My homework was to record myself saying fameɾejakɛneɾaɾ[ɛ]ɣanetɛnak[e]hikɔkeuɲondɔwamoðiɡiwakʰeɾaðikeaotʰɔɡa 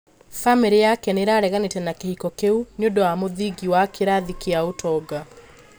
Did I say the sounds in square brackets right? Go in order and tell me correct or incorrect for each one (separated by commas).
correct, correct